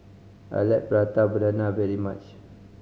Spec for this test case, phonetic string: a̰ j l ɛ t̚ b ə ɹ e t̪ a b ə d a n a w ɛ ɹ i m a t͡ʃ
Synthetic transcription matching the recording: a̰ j l ɛ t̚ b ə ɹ a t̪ a b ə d a n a v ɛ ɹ i m a t͡ʃ